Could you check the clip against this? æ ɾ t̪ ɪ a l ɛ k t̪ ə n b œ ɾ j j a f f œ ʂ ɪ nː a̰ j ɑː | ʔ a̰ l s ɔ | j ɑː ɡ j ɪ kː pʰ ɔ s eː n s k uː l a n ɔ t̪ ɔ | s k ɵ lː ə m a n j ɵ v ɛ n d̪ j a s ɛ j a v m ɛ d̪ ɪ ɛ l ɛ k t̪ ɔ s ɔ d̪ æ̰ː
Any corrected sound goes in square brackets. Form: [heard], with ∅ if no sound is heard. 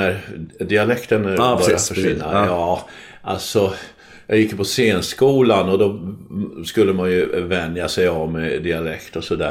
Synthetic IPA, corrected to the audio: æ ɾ [d̪] ɪ a l ɛ k t̪ ə n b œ ɾ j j a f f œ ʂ ɪ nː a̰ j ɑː | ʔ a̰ l s ɔ | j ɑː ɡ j ɪ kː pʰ ɔ s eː n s k uː l a n ɔ [d̪] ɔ | s k ɵ lː ə m a n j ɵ v ɛ n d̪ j a s ɛ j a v m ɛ d̪ ɪ [a] l ɛ k t̪ ɔ s ɔ d̪ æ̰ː